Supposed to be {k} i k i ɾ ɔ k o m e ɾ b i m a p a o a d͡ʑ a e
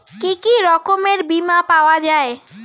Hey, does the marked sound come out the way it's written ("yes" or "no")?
yes